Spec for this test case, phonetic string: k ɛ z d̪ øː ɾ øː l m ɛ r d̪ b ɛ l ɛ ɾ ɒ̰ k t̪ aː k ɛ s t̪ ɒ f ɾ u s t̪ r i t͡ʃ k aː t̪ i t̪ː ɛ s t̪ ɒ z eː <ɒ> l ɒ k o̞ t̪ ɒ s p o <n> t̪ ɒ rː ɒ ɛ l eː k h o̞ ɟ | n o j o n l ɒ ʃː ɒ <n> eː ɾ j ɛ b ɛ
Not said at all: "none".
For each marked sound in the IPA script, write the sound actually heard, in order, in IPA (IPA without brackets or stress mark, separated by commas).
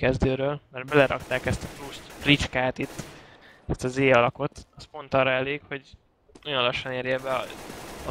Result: ɒ, n, n